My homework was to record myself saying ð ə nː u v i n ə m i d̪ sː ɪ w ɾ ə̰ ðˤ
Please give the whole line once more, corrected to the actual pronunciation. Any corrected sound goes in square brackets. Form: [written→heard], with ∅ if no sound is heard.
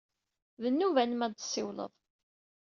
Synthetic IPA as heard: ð ə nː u v [i→æ] n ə m [i→æ] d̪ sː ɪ w [ɾ→l] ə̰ ðˤ